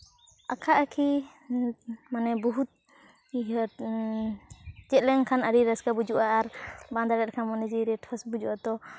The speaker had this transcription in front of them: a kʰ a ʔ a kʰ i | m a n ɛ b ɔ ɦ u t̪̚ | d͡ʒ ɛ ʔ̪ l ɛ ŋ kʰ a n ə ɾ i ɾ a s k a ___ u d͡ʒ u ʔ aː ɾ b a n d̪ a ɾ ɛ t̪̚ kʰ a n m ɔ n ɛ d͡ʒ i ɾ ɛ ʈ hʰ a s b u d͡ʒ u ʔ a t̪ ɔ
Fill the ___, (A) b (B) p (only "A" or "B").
A